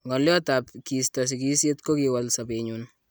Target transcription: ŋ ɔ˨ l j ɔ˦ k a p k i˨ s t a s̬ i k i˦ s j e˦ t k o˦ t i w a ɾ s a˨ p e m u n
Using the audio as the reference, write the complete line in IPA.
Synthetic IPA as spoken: ŋ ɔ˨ l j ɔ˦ t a p k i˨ s t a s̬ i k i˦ s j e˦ t k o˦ k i w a l s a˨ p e ɲ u n